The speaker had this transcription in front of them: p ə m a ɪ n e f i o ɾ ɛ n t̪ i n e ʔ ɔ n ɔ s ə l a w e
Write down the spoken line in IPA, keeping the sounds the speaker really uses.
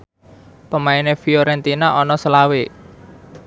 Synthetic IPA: p ə m a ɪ n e f i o ɾ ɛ n t̪ i n a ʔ ɔ n ɔ s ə l a w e